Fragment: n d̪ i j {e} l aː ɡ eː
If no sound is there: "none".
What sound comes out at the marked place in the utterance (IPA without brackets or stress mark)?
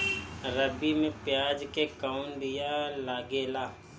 a